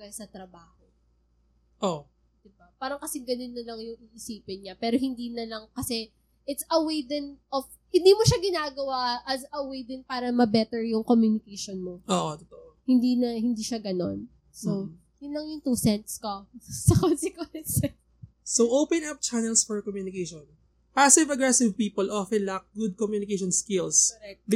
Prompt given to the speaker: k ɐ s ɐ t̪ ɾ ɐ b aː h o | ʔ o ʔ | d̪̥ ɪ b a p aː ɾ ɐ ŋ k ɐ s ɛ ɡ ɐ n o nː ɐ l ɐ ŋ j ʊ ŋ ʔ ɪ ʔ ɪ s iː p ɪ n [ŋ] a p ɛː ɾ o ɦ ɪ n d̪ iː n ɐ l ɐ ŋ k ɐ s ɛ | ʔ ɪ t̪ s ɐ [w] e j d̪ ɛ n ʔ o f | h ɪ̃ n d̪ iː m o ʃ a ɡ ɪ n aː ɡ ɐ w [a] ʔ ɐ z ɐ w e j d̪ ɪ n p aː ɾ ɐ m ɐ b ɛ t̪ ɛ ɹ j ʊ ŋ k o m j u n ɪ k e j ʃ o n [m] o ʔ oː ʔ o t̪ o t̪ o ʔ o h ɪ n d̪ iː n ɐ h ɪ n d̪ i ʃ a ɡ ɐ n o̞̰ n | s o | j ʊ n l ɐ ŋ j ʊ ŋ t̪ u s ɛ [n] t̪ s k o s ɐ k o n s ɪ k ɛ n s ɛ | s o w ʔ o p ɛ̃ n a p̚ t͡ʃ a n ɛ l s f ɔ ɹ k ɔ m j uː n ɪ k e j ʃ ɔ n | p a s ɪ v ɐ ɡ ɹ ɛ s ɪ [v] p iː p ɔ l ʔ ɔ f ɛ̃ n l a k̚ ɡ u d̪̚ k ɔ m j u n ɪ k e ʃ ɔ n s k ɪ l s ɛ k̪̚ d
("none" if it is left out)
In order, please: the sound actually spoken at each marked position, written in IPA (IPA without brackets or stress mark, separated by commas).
ɲ, w, a, m, n, v